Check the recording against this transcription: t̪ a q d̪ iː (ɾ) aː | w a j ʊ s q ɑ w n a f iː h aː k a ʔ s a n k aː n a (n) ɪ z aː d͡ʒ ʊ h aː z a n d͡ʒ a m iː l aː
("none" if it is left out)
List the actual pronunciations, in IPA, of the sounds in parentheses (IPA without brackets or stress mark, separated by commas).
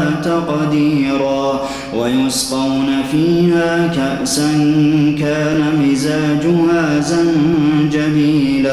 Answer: ɾ, m